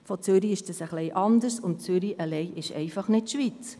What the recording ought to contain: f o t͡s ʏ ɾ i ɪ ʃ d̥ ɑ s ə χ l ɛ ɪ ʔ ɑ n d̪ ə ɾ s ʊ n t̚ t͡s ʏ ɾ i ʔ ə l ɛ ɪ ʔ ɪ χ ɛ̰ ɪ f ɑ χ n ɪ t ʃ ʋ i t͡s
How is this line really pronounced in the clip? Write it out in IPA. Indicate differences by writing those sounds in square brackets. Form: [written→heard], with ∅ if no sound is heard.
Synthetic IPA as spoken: f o t͡s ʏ ɾ i ɪ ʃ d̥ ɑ s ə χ l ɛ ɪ ʔ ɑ n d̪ ə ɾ s ʊ n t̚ t͡s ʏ ɾ i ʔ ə l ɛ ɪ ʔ ɪ [χ→ʃ] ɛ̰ ɪ f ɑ χ n ɪ t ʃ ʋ i t͡s